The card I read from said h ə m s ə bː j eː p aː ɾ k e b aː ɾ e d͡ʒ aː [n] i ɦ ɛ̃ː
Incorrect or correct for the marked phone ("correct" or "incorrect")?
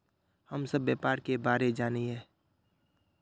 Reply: correct